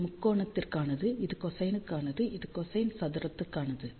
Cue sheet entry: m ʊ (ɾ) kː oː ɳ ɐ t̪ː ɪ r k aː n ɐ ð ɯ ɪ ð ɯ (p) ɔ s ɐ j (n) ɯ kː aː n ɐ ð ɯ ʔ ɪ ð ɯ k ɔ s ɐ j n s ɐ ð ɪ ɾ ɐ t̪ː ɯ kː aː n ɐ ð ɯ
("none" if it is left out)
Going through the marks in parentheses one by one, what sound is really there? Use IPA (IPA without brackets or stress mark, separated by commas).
none, k, n